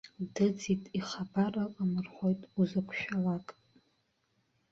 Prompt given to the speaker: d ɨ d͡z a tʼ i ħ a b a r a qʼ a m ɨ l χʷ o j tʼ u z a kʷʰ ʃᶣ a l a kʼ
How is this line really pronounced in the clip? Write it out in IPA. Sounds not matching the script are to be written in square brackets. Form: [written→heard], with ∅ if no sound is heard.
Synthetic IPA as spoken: d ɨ d͡z [a→i] tʼ i [ħ→χ] a b a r a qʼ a m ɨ [l→r] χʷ o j tʼ u z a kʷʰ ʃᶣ a l a kʼ